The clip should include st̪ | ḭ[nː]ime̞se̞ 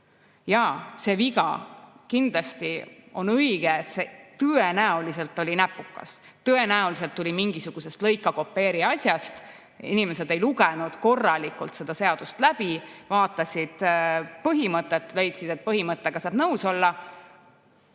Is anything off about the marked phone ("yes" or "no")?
yes